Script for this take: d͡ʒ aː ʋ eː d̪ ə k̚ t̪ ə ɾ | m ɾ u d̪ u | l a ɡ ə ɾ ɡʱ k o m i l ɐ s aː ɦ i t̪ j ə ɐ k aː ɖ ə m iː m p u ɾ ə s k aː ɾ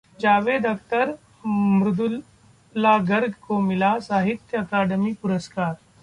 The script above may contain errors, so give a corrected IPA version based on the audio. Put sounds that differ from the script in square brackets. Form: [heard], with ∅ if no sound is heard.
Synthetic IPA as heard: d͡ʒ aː ʋ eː d̪ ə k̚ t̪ ə ɾ | m ɾ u d̪ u | l a ɡ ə ɾ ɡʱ k o m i l [a] s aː ɦ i t̪ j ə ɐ k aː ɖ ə m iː [∅] p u ɾ ə s k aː ɾ